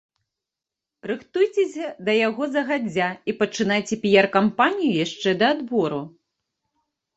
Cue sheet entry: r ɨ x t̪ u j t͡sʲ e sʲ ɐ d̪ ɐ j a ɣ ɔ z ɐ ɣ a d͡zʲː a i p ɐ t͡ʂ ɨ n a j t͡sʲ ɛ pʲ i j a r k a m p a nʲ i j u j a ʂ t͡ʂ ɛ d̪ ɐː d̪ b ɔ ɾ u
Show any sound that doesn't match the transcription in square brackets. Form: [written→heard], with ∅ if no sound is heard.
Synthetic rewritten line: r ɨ x t̪ u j t͡sʲ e sʲ ɐ d̪ ɐ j a ɣ ɔ z ɐ ɣ a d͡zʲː a i p ɐ t͡ʂ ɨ n a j t͡sʲ ɛ pʲ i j a r k a m p a nʲ i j u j a ʂ t͡ʂ ɛ d̪ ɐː d̪ b ɔ ɾ u